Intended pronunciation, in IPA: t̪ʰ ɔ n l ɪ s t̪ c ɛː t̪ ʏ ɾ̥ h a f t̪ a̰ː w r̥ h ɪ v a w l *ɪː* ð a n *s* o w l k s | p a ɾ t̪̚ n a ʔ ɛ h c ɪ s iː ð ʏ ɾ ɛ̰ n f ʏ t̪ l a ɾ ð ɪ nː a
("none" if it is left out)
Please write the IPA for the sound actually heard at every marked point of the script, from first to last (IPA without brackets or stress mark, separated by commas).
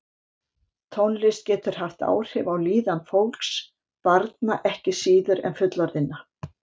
iː, f